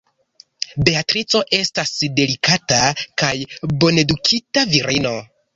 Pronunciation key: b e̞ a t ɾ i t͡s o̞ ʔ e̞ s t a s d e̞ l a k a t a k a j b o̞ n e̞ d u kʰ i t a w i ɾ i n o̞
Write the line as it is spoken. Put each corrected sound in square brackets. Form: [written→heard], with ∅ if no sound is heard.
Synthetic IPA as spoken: b e̞ a t ɾ i t͡s o̞ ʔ e̞ s t a s d e̞ l [a→i] k a t a k a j b o̞ n e̞ d u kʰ i t a [w→v] i ɾ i n o̞